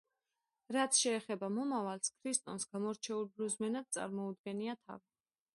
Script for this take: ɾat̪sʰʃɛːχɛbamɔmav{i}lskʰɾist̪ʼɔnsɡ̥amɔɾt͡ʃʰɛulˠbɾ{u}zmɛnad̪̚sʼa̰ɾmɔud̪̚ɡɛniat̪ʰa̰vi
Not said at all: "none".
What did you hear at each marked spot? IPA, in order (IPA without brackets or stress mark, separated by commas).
a, u